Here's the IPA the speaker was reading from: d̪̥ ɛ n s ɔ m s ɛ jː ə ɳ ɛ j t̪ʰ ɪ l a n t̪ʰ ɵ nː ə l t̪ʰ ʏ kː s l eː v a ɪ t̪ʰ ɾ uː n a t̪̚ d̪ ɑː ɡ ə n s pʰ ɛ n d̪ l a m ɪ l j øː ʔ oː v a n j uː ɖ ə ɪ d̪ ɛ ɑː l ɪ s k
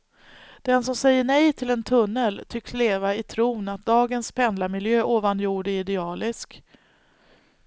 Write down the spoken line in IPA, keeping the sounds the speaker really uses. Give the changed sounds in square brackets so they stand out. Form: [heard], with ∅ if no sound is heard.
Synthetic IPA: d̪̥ ɛ n s ɔ m s ɛ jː ə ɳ ɛ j t̪ʰ ɪ l [ɛ] n t̪ʰ ɵ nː ə l t̪ʰ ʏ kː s l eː v a ɪ t̪ʰ ɾ uː n a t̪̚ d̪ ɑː ɡ ə n s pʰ ɛ n d̪ l a m ɪ l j øː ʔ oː v a n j uː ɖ ə ɪ d̪ ɛ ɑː l ɪ s k